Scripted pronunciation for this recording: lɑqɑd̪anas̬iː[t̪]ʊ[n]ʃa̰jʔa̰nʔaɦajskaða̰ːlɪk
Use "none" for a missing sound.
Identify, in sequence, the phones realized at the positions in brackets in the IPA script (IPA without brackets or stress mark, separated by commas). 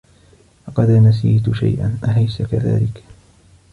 t̪, none